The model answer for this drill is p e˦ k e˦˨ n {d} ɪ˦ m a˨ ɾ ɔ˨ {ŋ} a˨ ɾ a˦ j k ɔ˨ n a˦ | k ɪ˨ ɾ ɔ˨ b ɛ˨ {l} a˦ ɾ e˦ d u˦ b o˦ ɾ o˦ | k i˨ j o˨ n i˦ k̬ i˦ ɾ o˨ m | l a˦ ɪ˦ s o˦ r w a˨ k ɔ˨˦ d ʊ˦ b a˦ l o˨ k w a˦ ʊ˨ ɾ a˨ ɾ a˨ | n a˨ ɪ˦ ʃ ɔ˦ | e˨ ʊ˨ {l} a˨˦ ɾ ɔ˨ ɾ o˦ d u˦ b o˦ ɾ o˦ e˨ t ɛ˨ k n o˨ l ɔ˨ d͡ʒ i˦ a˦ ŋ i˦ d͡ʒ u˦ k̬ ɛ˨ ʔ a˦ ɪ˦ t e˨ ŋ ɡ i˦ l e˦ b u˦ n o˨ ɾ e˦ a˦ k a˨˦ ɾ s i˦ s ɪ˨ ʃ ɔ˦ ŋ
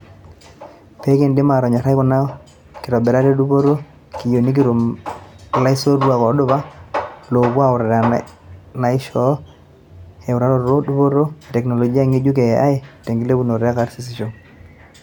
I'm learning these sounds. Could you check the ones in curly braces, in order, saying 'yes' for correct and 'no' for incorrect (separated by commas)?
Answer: yes, no, no, no